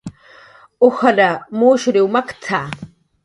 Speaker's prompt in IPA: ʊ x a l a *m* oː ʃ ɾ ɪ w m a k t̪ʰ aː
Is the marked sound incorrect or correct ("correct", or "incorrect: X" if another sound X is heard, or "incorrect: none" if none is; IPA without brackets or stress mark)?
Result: correct